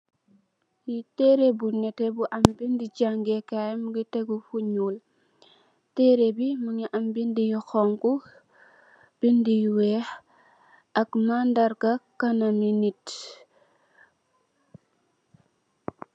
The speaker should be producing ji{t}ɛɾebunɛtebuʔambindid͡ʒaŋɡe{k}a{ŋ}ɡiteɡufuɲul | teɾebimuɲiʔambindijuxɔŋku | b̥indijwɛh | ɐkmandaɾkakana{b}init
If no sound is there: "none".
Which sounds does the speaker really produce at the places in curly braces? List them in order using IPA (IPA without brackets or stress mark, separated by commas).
t, k, m, m